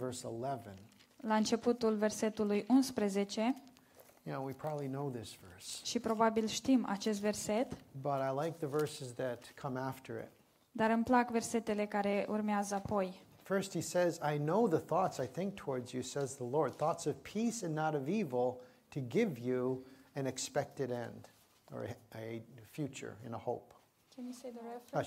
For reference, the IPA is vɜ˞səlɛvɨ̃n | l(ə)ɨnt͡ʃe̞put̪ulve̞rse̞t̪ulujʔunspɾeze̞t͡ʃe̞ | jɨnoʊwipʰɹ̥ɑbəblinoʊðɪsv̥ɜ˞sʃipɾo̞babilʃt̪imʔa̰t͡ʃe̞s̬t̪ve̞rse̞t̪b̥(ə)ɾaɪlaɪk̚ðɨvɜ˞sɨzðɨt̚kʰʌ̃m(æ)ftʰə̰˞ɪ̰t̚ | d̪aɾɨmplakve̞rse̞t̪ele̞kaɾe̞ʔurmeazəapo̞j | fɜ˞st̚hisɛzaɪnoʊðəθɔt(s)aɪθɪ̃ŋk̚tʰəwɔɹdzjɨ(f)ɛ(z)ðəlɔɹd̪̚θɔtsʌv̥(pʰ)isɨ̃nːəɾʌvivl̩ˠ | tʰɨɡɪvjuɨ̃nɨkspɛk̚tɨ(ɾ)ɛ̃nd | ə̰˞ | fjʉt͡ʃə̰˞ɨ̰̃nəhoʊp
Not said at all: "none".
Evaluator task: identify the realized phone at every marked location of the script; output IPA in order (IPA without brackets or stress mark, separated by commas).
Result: a, ʌ, æ, s, s, z, pʰ, ɾ